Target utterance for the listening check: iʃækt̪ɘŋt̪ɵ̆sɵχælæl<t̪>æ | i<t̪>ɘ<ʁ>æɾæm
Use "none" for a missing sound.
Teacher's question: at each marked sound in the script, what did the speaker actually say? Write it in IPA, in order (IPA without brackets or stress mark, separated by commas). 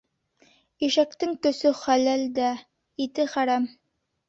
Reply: d̪, t̪, χ